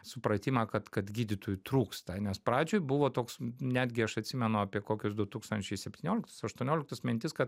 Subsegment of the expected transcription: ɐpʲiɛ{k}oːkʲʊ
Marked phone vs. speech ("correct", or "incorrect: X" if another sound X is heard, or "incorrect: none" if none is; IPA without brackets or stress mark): correct